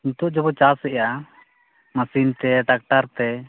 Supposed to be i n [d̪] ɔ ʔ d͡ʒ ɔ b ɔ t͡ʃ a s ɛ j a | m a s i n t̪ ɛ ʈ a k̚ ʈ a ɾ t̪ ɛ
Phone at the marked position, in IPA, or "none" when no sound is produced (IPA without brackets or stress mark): t̪